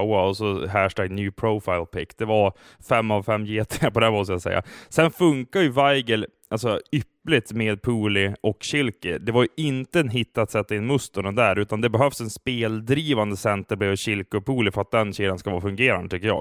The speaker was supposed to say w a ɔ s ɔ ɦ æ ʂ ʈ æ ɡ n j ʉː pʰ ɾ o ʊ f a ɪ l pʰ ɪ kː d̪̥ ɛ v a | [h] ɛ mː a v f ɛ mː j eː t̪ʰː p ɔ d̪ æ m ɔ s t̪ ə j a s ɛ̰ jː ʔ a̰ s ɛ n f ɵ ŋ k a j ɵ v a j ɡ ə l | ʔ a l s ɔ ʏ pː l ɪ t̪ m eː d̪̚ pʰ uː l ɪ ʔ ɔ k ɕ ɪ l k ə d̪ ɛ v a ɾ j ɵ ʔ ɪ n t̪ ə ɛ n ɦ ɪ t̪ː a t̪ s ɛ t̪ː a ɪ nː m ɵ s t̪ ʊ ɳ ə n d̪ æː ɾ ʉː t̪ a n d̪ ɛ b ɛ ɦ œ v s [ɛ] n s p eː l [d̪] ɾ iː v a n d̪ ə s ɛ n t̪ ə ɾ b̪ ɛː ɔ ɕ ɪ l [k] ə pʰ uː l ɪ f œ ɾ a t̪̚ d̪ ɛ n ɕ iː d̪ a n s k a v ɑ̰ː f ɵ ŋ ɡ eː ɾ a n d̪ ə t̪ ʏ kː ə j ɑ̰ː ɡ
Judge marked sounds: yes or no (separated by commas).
no, yes, yes, yes